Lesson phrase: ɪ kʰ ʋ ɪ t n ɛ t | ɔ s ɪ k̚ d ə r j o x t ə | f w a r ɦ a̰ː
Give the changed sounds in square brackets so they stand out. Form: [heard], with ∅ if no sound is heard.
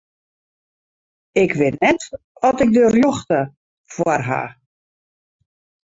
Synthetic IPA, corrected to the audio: ɪ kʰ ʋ ɪ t n ɛ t | ɔ [t] ɪ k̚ d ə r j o x t ə | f w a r ɦ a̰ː